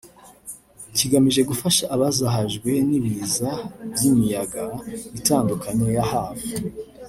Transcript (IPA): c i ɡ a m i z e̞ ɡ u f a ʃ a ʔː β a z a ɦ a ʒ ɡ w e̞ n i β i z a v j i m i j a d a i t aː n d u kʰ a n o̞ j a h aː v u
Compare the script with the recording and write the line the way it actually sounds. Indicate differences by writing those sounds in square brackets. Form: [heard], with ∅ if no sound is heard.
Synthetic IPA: c i ɡ a m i [ʒ] e̞ ɡ u f a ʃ a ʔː β a z a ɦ a ʒ ɡ w e̞ n i β i z a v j i m i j a [ɡ] a i t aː n d u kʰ a [ɲ] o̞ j a h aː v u